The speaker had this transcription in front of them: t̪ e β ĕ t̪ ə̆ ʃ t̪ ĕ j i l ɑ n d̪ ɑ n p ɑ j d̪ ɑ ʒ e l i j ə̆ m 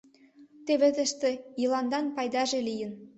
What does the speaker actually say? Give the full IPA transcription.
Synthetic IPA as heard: t̪ e β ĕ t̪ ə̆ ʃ t̪ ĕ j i l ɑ n d̪ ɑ n p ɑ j d̪ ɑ ʒ e l i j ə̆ n